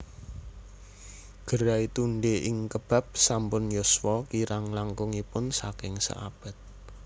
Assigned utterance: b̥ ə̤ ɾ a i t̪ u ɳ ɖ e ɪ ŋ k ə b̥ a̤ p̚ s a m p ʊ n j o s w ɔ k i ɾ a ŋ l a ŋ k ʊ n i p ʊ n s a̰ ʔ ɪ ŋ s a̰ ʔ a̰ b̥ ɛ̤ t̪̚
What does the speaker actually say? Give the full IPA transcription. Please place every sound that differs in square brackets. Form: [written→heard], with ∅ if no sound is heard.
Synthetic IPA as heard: [b̥→ɡ̥] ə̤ ɾ a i t̪ u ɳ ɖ e ɪ ŋ k ə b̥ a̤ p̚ s a m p ʊ n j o s w ɔ k i ɾ a ŋ l a ŋ k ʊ [n→ŋ] i p ʊ n s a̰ [ʔ→k] ɪ ŋ s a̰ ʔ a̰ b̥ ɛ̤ t̪̚